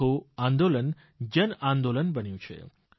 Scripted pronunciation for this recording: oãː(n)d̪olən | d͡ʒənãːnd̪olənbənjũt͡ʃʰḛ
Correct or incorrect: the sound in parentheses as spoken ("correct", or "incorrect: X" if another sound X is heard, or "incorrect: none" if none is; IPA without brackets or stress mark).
correct